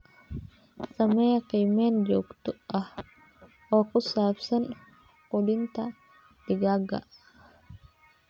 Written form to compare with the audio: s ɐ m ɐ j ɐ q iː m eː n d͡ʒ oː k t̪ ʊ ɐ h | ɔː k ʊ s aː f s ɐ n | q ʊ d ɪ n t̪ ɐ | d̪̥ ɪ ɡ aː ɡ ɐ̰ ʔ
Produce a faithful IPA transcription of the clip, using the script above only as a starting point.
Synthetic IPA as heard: s ɐ m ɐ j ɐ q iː m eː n d͡ʒ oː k t̪ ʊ ɐ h | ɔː k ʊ s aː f s ɐ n | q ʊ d ɪ n t̪ ɐ | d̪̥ ɪ ɡ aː ɡ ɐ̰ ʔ